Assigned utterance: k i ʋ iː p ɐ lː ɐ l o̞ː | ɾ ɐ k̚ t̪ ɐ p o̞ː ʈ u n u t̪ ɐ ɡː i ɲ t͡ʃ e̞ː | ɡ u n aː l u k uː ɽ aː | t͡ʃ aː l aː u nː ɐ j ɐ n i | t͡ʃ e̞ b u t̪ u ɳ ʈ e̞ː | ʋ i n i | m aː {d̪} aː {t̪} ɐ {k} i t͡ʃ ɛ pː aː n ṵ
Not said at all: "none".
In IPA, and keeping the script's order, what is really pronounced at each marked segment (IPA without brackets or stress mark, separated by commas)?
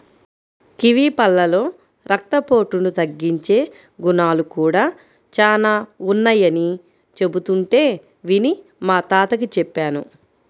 t̪, t̪, k